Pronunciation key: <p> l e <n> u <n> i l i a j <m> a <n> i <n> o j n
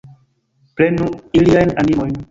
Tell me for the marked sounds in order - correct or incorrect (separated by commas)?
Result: correct, correct, incorrect, incorrect, correct, incorrect